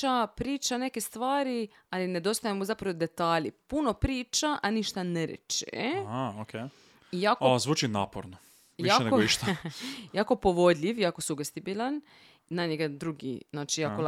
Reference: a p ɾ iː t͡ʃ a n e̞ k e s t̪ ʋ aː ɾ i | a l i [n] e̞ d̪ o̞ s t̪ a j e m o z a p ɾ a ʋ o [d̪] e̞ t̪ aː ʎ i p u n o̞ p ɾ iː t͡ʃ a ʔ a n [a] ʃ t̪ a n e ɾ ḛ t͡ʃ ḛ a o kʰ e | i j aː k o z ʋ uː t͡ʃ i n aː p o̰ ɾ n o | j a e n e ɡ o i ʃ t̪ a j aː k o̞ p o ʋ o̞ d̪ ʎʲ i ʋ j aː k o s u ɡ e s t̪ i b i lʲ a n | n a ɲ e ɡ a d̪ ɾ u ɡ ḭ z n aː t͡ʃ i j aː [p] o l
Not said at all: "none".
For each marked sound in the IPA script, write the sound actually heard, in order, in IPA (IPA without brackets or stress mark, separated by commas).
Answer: n, d̪, i, k